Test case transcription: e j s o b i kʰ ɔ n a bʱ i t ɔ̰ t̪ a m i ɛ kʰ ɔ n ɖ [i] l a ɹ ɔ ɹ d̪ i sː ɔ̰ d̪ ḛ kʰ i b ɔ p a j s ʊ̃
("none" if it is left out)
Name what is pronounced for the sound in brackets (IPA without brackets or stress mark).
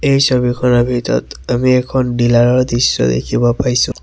i